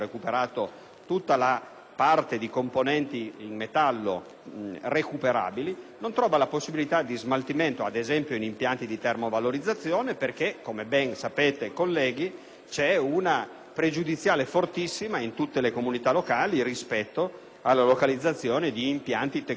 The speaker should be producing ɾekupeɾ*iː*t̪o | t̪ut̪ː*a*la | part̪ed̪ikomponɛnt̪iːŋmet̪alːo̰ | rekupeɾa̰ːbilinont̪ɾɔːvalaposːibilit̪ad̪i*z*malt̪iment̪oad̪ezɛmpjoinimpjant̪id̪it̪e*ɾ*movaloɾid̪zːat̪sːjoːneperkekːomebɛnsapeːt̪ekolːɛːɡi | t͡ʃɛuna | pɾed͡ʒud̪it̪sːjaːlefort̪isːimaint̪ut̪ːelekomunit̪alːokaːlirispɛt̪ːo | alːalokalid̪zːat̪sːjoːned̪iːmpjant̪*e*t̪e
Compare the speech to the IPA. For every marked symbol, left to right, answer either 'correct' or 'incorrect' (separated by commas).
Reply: incorrect, correct, correct, incorrect, incorrect